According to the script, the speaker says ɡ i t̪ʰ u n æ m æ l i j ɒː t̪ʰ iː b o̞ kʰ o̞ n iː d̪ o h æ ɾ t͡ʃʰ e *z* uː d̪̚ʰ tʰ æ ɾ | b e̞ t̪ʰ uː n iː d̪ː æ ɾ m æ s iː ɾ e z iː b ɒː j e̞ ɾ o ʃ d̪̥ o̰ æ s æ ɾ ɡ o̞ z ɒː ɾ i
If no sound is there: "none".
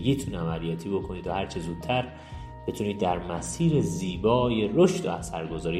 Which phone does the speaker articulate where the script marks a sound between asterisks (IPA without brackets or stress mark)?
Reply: z